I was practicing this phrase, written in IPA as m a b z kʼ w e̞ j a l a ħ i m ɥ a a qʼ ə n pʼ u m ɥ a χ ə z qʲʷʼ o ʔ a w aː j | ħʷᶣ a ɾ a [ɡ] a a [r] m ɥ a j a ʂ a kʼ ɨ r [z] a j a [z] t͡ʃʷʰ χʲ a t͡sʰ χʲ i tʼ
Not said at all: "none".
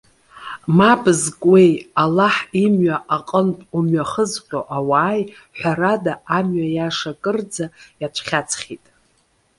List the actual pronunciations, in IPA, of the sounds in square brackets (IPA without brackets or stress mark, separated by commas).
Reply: d, none, d͡z, none